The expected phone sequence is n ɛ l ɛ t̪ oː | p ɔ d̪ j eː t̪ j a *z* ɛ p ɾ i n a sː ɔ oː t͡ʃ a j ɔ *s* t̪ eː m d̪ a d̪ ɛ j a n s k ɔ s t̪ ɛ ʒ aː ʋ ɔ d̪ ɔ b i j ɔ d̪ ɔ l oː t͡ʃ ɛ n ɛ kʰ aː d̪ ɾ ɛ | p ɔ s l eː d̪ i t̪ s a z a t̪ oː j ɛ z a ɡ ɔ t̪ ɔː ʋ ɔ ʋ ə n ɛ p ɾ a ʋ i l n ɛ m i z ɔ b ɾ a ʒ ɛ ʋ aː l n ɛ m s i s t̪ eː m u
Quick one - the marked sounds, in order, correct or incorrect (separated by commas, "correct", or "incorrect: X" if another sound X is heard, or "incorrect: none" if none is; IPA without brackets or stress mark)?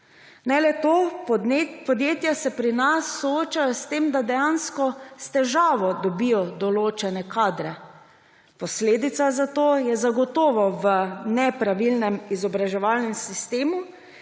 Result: incorrect: s, correct